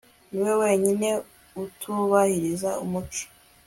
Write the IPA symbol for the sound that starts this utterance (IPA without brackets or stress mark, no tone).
n